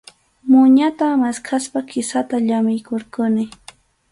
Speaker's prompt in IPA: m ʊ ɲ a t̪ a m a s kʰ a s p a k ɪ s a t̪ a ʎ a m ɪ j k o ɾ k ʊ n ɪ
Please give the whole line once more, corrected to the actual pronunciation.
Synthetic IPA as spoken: m ʊ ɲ a t̪ a m a s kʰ a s p a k ɪ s a t̪ a ʎ a m ɪ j k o ɾ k ʊ n ɪ